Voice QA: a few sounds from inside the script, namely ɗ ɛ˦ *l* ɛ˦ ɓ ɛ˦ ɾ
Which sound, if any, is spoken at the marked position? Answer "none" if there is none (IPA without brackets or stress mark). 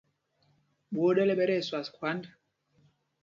l